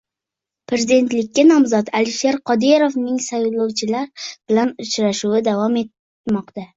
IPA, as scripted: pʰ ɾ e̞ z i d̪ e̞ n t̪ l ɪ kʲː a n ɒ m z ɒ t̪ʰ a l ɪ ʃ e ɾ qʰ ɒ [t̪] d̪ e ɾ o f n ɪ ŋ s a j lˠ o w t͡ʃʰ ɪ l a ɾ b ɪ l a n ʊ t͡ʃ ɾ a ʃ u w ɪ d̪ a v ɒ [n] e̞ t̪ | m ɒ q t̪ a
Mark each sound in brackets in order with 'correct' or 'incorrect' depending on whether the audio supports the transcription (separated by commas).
incorrect, incorrect